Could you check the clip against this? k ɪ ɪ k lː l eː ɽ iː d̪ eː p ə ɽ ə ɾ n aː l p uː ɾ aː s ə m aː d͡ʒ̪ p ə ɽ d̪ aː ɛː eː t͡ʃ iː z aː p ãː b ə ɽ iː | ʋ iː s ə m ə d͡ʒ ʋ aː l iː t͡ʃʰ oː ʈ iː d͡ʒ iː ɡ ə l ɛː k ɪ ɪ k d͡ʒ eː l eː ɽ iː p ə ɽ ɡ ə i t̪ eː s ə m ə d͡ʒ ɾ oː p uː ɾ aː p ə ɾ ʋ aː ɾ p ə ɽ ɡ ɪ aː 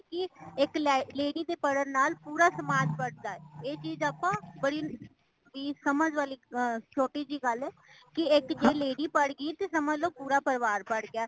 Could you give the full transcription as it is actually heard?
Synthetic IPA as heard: k ɪ ɪ k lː l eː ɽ iː d̪ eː p ə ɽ ə ɾ n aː l p uː ɾ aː s ə m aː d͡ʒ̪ p ə ɽ d̪ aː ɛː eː t͡ʃ iː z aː p ãː b ə ɽ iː | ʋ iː s ə m ə d͡ʒ ʋ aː l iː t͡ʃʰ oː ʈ iː d͡ʒ iː ɡ ə l ɛː k ɪ ɪ k d͡ʒ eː l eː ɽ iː p ə ɽ ɡ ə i t̪ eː s ə m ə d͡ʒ l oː p uː ɾ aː p ə ɾ ʋ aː ɾ p ə ɽ ɡ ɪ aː